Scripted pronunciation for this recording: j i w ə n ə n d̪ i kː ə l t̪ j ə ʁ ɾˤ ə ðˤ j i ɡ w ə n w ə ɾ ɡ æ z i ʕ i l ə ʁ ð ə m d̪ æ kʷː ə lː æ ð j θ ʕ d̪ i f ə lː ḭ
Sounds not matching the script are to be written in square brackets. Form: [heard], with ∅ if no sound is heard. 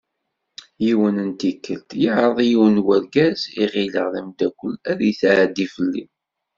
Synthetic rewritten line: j i w ə n ə n [t̪] i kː ə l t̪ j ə [ʕ] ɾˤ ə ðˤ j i [∅] w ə n w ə ɾ ɡ æ z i [ʁ] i l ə ʁ ð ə m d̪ æ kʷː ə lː æ ð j θ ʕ d̪ i f ə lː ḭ